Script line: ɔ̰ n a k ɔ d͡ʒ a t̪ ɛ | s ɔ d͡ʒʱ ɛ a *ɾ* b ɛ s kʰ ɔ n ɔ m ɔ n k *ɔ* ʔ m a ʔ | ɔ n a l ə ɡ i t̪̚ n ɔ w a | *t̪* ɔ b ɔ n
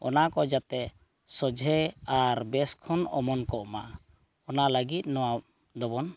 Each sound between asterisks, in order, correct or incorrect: correct, correct, incorrect: d̪

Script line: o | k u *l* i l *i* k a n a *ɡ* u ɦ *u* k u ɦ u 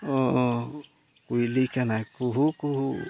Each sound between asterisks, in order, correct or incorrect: incorrect: none, correct, incorrect: k, correct

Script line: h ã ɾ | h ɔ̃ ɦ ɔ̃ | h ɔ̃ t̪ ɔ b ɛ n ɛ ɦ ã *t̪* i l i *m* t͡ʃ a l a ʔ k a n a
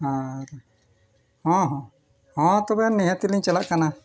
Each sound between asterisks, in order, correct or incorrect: correct, incorrect: ɲ

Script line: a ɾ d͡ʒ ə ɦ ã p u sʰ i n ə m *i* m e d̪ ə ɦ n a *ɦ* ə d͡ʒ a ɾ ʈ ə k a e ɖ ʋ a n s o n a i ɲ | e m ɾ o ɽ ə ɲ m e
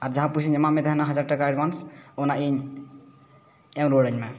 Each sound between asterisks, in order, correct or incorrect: incorrect: a, correct

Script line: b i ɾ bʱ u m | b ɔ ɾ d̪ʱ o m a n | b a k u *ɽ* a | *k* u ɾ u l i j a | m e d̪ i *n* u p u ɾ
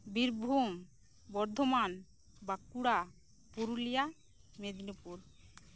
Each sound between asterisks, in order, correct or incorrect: correct, incorrect: p, correct

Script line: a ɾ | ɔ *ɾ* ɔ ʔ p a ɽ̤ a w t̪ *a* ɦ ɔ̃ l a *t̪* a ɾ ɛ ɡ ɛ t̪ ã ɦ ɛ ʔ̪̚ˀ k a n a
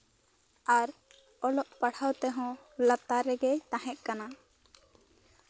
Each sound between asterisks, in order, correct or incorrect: incorrect: l, incorrect: ɛ, correct

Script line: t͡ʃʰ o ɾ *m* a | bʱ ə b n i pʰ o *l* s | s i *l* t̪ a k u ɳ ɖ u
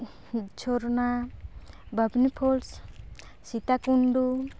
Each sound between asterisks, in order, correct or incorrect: incorrect: n, correct, incorrect: none

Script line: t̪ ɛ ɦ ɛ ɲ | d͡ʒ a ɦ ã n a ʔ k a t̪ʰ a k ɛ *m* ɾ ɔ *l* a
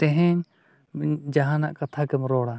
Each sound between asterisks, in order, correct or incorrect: correct, incorrect: ɽ

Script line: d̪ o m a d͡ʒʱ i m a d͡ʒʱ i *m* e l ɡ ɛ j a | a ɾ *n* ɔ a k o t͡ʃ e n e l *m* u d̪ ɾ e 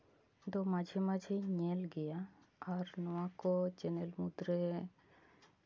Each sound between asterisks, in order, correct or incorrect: incorrect: ɲ, correct, correct

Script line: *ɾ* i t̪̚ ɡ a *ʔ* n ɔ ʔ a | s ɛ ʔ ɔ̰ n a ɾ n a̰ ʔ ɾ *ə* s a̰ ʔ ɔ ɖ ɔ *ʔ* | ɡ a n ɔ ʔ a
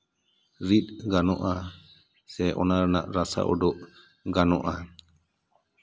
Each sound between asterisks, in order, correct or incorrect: correct, incorrect: none, incorrect: a, correct

